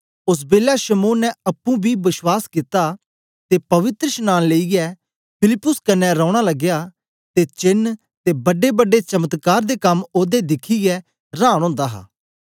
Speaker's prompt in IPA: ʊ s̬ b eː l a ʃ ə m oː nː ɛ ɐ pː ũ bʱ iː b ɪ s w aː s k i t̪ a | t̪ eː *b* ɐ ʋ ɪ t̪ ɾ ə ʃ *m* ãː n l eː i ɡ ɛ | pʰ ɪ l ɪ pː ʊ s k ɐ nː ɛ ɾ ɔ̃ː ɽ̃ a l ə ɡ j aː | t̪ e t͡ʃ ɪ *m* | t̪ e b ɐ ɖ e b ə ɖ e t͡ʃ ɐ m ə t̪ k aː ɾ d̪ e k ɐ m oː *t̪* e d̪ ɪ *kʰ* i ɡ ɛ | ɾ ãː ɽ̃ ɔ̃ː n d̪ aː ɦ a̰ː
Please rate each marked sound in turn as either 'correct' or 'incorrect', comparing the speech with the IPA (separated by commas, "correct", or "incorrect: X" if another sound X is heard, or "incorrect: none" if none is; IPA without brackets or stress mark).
incorrect: p, incorrect: n, incorrect: n, incorrect: d̪, correct